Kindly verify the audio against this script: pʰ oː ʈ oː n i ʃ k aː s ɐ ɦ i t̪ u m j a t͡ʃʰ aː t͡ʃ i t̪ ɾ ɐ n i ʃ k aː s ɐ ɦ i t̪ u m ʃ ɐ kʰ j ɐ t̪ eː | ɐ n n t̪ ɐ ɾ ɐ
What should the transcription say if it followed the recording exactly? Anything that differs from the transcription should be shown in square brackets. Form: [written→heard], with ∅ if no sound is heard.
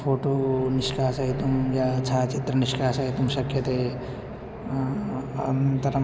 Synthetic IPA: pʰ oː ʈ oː n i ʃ k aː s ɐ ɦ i t̪ u m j a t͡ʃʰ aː t͡ʃ i t̪ ɾ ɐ n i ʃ k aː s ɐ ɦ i t̪ u m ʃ ɐ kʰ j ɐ t̪ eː | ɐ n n t̪ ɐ ɾ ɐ